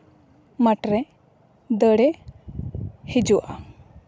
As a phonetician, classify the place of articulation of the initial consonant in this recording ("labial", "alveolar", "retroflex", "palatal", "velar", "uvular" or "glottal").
labial